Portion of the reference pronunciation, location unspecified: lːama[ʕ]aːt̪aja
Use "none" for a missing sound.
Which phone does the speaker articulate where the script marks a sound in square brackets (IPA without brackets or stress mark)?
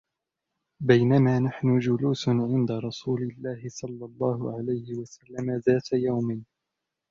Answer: ð